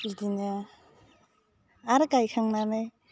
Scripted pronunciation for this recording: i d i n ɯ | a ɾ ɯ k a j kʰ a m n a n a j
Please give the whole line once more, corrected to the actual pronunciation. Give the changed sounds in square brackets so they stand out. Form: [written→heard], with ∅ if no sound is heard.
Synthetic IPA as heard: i d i n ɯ | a ɾ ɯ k a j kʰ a [m→ŋ] n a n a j